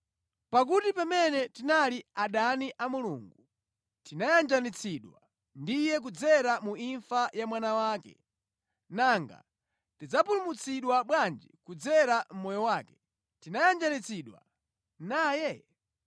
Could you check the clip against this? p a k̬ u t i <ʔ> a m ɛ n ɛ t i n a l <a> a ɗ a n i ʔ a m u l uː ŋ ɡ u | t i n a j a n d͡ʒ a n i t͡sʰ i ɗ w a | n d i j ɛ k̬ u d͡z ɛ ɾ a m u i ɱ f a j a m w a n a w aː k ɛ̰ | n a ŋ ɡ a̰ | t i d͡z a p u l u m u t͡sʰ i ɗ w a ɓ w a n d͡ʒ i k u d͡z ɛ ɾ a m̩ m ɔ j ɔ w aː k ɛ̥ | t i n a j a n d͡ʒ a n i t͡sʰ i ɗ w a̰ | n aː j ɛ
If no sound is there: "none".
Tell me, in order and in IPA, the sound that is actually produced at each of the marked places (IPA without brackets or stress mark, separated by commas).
p, i